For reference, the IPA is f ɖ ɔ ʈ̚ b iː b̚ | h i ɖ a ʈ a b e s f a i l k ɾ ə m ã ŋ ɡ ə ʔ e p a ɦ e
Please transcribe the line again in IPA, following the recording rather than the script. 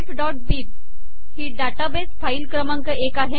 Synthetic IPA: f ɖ ɔ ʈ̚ b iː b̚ | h i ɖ a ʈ a b e s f a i l k ɾ ə m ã ŋ k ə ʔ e k a ɦ e